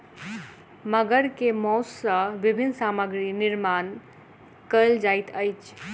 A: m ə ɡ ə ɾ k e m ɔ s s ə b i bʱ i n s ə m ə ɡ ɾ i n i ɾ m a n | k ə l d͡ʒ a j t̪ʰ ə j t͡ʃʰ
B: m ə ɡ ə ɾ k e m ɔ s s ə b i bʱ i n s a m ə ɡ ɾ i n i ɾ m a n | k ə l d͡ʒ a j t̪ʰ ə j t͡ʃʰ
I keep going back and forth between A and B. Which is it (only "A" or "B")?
B